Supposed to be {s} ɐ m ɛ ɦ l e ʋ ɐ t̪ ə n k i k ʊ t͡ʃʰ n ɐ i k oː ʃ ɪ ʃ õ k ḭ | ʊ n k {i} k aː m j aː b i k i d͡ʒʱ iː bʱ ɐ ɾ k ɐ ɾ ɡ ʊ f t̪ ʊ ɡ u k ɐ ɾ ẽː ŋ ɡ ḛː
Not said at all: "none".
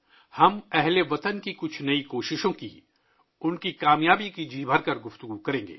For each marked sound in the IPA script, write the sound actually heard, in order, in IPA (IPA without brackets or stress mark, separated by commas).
h, i